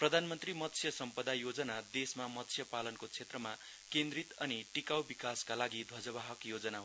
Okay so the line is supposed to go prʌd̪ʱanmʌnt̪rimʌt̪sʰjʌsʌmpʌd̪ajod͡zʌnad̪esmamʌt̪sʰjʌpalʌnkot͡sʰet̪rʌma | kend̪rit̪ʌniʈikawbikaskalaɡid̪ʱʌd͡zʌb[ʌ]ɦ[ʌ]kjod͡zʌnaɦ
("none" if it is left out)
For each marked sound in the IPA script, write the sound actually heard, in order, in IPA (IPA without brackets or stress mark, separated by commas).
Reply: a, ʌ